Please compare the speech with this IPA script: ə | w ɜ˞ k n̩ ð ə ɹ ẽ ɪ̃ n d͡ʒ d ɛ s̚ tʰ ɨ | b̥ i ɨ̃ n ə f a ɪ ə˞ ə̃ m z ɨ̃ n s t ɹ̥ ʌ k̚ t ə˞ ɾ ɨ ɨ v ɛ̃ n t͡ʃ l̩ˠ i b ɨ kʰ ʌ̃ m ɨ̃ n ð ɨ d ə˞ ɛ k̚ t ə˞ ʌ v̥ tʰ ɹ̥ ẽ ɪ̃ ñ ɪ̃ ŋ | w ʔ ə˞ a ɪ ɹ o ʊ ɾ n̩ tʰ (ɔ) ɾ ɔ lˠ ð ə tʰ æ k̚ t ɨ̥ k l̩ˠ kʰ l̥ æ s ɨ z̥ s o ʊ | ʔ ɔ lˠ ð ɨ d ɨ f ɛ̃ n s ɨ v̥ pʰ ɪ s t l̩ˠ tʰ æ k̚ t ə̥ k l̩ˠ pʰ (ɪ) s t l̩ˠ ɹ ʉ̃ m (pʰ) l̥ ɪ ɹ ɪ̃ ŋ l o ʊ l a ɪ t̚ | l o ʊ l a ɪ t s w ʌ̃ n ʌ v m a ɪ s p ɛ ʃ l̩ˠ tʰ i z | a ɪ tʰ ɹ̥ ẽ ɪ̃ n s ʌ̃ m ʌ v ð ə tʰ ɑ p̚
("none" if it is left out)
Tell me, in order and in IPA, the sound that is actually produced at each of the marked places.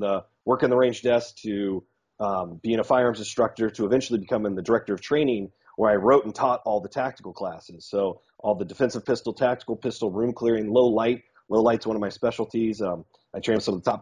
ɔ, ɪ, kʰ

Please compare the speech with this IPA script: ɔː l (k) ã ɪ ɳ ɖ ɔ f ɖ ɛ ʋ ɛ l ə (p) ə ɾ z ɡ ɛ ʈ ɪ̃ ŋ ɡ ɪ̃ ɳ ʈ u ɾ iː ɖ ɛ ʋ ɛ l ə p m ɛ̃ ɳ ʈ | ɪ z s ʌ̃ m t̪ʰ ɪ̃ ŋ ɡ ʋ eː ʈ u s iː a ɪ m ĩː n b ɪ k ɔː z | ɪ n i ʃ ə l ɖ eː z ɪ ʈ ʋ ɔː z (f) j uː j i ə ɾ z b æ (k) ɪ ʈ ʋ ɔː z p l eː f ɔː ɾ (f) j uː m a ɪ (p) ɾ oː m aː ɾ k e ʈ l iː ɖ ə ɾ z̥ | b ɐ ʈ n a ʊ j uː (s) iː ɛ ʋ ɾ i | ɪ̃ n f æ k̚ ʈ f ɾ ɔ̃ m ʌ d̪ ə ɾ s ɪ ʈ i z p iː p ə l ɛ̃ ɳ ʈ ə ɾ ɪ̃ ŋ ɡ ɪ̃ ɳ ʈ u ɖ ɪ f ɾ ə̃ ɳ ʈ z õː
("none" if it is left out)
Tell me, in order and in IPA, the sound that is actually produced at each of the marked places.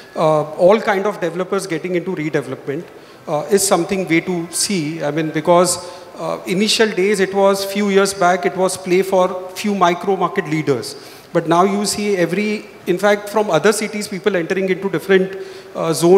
k, p, f, k, f, k, s

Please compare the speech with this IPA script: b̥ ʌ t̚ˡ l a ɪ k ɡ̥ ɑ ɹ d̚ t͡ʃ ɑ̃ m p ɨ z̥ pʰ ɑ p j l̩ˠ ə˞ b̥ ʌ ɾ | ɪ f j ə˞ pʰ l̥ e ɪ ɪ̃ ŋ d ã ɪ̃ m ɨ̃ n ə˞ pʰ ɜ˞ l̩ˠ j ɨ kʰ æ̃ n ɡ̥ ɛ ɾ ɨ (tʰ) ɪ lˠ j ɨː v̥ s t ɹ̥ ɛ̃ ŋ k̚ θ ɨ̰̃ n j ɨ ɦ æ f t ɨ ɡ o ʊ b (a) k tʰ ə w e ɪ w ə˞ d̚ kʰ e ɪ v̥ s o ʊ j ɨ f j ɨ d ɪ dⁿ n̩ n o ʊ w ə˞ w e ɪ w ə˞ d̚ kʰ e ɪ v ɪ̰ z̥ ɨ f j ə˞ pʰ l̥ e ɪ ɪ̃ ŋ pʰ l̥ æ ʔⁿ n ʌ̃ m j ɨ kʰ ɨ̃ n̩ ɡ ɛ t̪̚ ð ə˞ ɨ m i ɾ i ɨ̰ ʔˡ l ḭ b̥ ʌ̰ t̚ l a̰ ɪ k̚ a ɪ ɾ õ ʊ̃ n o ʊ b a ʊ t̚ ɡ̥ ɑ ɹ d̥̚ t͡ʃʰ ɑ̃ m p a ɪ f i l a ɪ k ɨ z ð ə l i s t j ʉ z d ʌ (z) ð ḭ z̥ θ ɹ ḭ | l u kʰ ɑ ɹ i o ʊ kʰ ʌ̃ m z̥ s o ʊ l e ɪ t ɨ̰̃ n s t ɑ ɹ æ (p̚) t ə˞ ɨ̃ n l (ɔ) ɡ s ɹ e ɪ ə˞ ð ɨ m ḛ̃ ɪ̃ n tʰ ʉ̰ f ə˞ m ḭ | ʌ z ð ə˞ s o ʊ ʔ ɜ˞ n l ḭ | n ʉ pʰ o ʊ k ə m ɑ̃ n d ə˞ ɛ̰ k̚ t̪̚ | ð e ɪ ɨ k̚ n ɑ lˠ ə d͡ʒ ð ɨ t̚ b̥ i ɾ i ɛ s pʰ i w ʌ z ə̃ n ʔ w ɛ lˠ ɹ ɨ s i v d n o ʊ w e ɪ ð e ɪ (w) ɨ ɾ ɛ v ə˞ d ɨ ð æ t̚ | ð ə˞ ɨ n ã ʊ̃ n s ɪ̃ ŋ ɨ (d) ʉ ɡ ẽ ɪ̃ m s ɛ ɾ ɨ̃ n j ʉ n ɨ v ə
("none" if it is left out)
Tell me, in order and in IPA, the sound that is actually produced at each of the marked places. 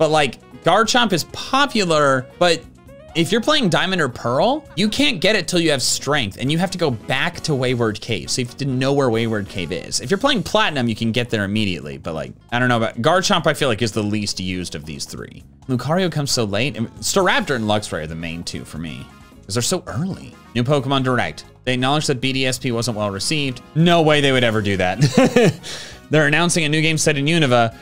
tʰ, æ, v, p̚, ʌ, w, n

